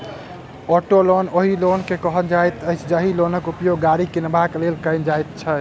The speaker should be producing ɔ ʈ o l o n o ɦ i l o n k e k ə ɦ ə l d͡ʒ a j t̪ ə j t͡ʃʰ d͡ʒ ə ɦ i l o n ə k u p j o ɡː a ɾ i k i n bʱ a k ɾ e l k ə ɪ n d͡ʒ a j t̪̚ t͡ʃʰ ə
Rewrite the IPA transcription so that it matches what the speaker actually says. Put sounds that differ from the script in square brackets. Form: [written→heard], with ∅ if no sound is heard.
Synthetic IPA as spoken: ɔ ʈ o l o n o ɦ i l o n k e k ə ɦ ə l d͡ʒ a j t̪ ə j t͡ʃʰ d͡ʒ ə ɦ i l o n ə k u p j o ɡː a ɾ i k i n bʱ a k [ɾ→l] e l k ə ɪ n d͡ʒ a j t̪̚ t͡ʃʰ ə